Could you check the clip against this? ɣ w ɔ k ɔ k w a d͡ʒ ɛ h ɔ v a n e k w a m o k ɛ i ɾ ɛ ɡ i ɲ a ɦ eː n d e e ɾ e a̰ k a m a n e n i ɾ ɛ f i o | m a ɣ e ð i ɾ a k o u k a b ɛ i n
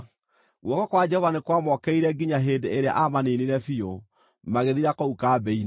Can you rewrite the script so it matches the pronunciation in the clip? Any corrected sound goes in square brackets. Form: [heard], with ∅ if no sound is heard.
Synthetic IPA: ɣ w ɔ k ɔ k w a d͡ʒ ɛ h ɔ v a n e k w a m [ɔ] k ɛ i ɾ ɛ ɡ i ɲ a ɦ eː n d e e ɾ e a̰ [ʔ] a m a n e n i ɾ ɛ f i o | m a ɣ e ð i ɾ a k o u k a b ɛ i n